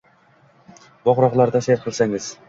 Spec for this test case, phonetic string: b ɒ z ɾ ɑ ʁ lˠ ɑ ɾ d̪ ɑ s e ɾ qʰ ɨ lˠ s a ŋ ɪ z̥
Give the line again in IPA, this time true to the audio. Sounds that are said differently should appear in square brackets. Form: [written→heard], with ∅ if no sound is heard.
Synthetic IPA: b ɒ [z→ʁ] ɾ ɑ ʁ lˠ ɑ ɾ d̪ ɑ s e ɾ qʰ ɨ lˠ s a ŋ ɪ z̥